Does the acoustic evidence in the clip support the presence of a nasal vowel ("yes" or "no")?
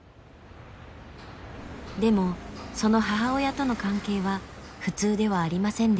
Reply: yes